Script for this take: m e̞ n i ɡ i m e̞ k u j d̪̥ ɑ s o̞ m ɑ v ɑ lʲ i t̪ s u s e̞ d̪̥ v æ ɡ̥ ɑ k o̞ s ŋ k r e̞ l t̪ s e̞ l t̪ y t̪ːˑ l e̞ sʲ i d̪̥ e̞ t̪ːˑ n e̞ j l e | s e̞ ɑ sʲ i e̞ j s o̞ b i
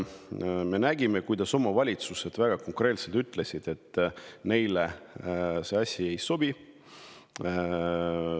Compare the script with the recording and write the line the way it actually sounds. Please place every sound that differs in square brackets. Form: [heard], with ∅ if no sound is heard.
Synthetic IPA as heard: m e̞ n [æ] ɡ i m e̞ k u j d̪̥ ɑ s o̞ m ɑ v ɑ lʲ i t̪ s u s e̞ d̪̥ v æ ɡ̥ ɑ k o̞ [∅] ŋ k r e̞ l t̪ s e̞ l t̪ y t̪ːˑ l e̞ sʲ i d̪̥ e̞ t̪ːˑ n e̞ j l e | s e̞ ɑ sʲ i e̞ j s o̞ b i